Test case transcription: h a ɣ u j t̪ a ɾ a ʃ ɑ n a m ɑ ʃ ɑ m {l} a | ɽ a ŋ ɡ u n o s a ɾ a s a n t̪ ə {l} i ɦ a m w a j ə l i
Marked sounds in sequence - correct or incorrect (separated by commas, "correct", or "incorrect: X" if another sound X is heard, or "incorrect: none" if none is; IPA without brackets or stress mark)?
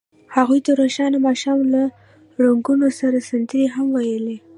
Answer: correct, incorrect: ɾ